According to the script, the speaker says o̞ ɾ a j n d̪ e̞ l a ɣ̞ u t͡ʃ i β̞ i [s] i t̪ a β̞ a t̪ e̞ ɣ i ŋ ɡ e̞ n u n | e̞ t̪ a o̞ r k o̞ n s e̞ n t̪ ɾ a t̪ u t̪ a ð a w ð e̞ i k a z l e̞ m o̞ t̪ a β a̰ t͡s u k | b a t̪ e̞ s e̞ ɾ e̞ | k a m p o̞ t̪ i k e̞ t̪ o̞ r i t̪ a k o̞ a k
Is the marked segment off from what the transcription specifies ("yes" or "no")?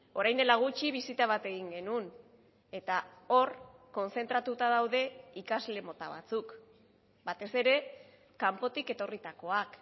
no